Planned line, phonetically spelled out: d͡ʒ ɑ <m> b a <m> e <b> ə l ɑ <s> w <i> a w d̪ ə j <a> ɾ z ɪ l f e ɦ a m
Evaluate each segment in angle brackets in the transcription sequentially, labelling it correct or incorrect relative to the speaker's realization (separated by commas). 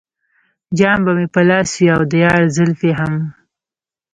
correct, correct, incorrect, correct, correct, incorrect